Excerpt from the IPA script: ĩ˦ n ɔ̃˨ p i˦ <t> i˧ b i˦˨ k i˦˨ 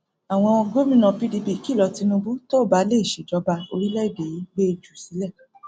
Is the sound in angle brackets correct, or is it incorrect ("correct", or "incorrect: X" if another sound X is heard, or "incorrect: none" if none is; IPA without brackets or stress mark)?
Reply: incorrect: d